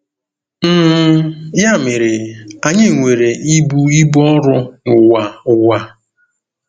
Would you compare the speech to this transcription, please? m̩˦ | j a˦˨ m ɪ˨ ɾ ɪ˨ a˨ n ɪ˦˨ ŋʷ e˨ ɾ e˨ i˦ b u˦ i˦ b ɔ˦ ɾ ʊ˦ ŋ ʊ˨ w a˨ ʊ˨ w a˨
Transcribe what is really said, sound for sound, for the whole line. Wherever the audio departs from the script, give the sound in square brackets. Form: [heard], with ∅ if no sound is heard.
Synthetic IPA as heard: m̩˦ | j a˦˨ m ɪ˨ ɾ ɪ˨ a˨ [ɲ] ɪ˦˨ ŋʷ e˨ ɾ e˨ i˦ b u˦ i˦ b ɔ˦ ɾ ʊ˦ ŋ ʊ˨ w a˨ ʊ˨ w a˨

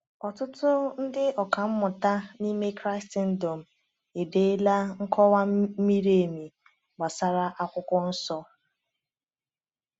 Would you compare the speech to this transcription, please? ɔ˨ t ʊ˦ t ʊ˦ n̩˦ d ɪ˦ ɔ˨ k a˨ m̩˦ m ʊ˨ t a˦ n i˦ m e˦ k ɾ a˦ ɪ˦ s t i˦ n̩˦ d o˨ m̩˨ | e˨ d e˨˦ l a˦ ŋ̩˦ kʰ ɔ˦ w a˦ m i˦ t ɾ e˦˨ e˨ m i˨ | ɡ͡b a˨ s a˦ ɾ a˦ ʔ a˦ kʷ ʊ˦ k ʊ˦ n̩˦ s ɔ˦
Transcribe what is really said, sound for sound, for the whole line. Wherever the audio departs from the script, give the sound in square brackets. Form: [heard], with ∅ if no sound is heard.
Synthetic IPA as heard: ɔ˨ t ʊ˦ t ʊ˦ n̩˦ d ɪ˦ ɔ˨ k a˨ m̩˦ m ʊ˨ t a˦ n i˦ m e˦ k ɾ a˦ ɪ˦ s t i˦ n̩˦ d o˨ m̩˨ | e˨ d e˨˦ l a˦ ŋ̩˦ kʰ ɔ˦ w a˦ m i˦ [∅] ɾ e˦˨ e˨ m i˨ | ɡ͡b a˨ s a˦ ɾ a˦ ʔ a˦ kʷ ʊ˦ k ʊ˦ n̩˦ s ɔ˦

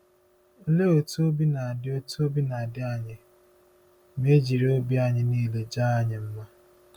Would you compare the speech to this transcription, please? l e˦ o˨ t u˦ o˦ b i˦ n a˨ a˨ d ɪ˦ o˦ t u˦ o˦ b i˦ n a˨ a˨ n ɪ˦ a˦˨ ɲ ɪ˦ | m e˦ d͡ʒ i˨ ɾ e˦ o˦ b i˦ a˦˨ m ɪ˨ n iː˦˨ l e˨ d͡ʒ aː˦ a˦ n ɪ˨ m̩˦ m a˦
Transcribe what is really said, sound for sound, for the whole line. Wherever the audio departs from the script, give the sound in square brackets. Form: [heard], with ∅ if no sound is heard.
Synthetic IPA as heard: l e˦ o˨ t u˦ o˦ b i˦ n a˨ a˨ d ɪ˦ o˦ t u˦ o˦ b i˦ n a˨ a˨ [d] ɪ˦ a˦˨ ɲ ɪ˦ | m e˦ d͡ʒ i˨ ɾ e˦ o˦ b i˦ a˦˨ [ɲ] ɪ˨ n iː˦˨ l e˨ d͡ʒ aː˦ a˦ [ɲ] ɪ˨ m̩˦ m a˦

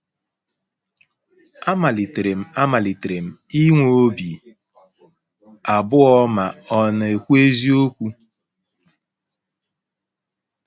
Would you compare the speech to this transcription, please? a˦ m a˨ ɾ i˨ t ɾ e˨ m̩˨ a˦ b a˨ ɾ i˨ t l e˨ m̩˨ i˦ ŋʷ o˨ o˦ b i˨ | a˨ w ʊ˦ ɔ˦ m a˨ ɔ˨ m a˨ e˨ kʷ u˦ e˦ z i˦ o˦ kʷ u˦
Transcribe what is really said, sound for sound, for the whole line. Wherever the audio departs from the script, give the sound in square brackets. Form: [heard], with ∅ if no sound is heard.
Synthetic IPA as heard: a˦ m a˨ [l] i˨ t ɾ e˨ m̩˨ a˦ [m] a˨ [l] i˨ t [ɾ] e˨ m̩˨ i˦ ŋʷ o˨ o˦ b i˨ | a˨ [b] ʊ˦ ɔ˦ m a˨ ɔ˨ [n] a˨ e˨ kʷ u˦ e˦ z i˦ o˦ kʷ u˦

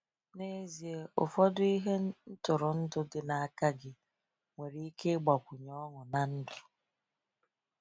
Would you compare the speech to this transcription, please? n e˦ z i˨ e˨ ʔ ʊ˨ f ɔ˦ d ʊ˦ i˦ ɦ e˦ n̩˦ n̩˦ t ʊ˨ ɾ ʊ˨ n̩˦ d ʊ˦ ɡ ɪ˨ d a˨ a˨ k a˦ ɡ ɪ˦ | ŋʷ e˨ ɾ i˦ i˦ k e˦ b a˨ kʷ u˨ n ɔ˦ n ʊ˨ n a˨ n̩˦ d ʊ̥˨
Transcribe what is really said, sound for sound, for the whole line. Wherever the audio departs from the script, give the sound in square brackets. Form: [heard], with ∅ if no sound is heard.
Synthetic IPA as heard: n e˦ z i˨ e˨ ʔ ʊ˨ f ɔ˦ d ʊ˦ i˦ ɦ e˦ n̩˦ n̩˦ t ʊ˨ ɾ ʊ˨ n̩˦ d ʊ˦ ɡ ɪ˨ [n] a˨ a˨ k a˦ ɡ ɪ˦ | ŋʷ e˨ ɾ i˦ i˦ k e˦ [ɡ͡b] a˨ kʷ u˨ [ɲ] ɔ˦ [ŋ] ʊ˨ n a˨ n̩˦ d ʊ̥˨

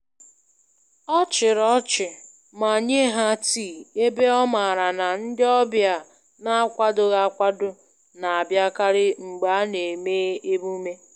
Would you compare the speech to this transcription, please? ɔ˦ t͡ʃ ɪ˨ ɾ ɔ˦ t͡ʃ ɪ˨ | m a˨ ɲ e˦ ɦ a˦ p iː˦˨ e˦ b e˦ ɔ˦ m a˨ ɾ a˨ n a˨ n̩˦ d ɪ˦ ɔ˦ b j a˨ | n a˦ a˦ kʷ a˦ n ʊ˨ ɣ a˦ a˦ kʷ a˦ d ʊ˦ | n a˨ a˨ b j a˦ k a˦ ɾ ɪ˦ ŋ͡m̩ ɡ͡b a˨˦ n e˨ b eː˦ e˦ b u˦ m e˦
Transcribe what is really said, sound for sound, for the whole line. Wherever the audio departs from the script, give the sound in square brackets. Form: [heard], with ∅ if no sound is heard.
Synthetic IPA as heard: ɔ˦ t͡ʃ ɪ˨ ɾ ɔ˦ t͡ʃ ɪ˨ | m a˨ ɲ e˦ ɦ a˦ [t] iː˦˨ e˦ b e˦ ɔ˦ m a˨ ɾ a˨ n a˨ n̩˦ d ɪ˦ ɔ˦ b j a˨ | n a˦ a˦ kʷ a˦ [d] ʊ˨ ɣ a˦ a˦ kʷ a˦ d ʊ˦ | n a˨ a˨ b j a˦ k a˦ ɾ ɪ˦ ŋ͡m̩ ɡ͡b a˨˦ n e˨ [m] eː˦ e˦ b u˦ m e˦

